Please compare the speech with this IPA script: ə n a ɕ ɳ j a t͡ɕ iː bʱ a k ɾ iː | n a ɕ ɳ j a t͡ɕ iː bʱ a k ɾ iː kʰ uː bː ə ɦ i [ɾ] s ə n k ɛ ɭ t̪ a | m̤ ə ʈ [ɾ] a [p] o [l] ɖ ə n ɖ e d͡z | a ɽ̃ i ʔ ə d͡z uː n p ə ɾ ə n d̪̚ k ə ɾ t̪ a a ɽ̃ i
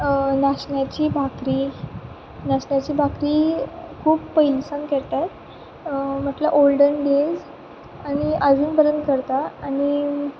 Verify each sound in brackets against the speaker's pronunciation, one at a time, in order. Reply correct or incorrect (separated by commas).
incorrect, incorrect, incorrect, correct